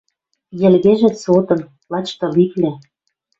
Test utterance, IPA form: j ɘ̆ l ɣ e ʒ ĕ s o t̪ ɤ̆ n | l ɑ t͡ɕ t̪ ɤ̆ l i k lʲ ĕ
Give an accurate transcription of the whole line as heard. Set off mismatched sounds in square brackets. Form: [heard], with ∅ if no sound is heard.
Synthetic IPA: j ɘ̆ l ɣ e ʒ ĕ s o t̪ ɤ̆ n | l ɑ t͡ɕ t̪ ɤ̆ l i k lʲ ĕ